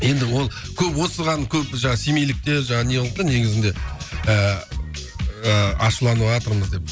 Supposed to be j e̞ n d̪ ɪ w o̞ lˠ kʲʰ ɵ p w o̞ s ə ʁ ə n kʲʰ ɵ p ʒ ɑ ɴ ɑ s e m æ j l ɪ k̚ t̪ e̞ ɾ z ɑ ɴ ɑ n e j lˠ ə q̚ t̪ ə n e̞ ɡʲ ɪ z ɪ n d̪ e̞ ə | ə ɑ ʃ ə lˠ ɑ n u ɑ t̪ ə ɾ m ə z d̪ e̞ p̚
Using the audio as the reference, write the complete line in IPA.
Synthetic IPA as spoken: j e̞ n d̪ ɪ w o̞ lˠ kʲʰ ɵ p w o̞ s ə ʁ ɑ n kʲʰ ɵ p ʒ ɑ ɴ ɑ s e m e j l ɪ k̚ t̪ e̞ ɾ ʒ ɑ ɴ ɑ n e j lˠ ə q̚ t̪ ə n e̞ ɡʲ ɪ z ɪ n d̪ e̞ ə | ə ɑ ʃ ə lˠ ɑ n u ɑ t̪ ə ɾ m ə z d̪ e̞ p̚